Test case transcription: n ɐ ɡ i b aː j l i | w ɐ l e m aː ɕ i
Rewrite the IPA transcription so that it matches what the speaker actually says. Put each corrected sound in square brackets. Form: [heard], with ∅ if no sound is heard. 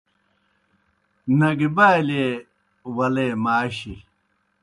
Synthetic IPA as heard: n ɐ ɡ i b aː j l [e] | w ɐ l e m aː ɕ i